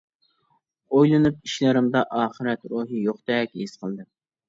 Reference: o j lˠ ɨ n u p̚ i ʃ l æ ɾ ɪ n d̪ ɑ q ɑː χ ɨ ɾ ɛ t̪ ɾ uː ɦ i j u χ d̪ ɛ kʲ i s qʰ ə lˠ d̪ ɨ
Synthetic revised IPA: o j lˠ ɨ n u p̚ i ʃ l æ ɾ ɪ m d̪ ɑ ʔ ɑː χ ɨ ɾ ɛ t̪ ɾ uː ɦ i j o χ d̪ ɛ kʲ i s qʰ ə lˠ d̪ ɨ